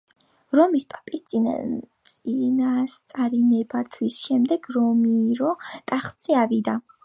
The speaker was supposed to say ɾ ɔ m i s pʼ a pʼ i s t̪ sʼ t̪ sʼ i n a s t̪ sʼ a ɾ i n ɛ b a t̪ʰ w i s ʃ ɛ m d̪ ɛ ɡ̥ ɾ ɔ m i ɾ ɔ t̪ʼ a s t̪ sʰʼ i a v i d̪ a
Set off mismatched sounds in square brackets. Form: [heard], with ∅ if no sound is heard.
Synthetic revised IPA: ɾ ɔ m i s pʼ a pʼ i s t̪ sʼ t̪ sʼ i n a s t̪ sʼ a ɾ i n ɛ b a t̪ʰ w i s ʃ ɛ m d̪ ɛ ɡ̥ ɾ ɔ m i ɾ ɔ t̪ʼ a [χ] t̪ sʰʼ i a v i d̪ a